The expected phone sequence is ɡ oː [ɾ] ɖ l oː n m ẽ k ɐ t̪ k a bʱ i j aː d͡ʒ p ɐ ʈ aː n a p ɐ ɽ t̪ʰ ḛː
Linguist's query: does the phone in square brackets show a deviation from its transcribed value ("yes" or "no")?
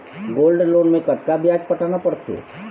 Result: yes